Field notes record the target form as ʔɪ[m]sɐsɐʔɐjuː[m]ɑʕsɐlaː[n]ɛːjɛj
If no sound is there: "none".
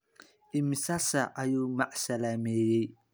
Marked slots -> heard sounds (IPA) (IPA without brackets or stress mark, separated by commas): m, m, m